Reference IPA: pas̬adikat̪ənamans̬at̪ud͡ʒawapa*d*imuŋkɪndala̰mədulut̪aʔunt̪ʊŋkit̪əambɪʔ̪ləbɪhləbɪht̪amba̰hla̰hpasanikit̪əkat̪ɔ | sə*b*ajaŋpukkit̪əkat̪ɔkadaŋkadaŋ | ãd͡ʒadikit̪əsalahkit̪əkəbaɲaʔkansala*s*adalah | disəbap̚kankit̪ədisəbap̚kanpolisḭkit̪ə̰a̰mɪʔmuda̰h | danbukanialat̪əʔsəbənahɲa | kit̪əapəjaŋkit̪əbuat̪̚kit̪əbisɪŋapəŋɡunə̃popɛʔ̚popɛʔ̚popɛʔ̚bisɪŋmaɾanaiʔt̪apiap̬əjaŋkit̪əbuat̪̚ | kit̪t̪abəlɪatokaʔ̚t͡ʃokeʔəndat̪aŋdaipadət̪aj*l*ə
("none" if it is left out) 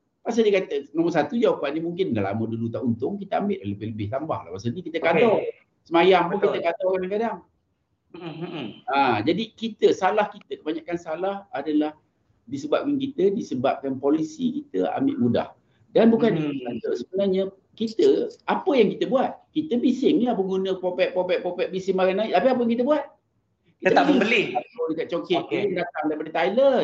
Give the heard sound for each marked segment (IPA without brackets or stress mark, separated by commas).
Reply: n, m, h, l